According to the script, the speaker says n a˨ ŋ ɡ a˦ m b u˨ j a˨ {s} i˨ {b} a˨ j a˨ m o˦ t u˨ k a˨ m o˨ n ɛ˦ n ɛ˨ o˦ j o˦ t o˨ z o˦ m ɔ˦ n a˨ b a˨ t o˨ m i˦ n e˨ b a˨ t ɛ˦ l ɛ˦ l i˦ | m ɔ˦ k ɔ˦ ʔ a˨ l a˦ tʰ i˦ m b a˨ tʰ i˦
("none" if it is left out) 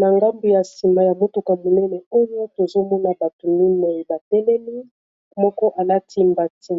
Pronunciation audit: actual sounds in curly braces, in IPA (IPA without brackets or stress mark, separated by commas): s, m